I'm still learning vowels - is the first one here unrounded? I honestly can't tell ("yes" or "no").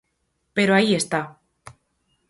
yes